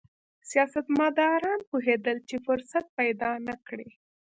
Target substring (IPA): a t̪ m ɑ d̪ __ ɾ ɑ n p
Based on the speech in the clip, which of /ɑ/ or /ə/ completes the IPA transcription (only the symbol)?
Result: ɑ